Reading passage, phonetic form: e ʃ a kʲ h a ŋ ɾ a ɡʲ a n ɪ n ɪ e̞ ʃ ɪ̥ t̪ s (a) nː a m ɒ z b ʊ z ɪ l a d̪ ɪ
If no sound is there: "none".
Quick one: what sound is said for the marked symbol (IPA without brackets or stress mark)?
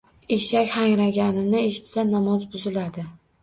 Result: a